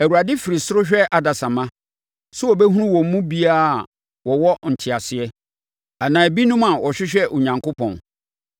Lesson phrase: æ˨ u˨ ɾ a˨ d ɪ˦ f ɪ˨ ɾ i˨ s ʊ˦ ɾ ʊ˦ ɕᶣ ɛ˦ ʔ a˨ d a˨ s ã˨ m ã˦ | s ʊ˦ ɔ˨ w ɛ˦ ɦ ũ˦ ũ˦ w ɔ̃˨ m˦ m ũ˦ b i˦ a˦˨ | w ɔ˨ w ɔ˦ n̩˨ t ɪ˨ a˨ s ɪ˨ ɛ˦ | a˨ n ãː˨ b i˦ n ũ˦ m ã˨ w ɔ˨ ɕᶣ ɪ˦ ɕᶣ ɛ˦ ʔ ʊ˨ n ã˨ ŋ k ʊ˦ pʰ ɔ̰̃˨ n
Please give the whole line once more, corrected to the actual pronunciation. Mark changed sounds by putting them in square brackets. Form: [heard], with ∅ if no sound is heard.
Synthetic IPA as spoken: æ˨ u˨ ɾ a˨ d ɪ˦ f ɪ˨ ɾ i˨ s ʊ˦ ɾ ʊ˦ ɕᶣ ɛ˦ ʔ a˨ d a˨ s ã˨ m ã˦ | s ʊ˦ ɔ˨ [b] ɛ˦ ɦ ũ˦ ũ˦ w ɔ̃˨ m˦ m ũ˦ b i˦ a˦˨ | w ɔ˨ w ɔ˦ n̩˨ [tʰ] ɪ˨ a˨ s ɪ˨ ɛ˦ | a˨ n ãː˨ b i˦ n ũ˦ m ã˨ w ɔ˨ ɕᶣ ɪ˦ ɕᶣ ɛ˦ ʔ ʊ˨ [ɲ] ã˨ ŋ k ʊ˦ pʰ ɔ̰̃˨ n